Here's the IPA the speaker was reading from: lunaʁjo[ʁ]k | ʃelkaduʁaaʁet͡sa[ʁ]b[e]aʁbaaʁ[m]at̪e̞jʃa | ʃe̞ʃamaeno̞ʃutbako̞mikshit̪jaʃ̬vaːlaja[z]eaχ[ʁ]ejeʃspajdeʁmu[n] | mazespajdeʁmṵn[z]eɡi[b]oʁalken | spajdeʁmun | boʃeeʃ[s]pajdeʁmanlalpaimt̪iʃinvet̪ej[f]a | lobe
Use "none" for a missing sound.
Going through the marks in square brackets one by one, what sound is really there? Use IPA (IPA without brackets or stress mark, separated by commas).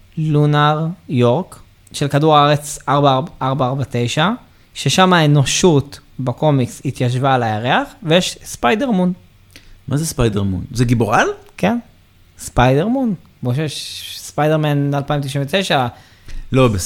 ʁ, ʁ, a, b, ʁ, v, n, z, b, s, ʃ